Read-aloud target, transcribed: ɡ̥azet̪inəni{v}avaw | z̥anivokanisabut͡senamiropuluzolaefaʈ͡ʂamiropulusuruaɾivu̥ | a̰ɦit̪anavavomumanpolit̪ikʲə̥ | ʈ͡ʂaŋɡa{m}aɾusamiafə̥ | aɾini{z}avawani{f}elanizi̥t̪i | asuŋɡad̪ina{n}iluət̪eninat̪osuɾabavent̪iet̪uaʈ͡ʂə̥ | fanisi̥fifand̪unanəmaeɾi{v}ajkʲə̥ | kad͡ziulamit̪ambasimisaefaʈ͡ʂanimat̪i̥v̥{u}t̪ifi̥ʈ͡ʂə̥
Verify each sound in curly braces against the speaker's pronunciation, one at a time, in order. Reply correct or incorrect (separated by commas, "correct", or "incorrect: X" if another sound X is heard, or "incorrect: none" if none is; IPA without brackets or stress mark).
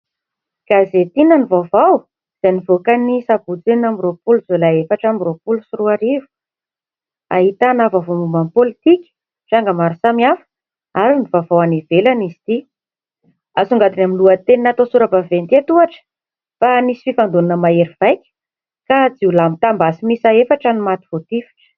correct, correct, incorrect: v, incorrect: v, incorrect: m, correct, incorrect: o